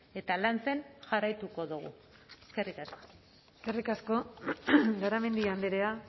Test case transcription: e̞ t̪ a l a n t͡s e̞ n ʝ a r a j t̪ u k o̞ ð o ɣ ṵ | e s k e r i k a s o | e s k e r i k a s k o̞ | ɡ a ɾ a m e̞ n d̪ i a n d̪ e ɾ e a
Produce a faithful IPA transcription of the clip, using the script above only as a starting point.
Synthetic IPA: e̞ t̪ a l a n t͡s e̞ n ʝ a r a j t̪ u k o̞ ð u ɣ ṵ | e s k e r i k a s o | e s k e r i k a s k o̞ | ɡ a ɾ a m e̞ n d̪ i a n d̪ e ɾ e a